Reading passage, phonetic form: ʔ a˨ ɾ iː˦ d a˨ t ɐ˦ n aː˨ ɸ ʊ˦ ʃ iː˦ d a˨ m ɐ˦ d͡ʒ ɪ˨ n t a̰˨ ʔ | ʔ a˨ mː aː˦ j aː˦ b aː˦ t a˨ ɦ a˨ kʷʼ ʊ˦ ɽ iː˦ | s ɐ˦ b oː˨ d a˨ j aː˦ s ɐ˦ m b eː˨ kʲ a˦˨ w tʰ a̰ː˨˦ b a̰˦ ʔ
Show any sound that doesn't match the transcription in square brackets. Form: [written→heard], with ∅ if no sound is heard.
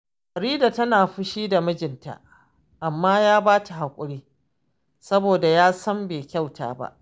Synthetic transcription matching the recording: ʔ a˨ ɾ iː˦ d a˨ t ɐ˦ n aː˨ ɸ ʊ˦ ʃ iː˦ d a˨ m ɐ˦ d͡ʒ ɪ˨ n t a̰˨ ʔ | ʔ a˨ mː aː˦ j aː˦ b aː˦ t a˨ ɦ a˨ kʷʼ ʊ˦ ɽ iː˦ | s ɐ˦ b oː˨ d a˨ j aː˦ s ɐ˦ m b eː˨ kʲ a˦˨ w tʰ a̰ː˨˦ b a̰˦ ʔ